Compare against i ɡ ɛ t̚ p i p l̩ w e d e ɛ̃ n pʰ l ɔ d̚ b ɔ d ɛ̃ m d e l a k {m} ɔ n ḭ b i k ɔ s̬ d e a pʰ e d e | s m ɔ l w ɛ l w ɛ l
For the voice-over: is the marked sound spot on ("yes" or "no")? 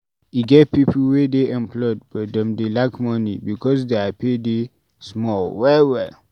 yes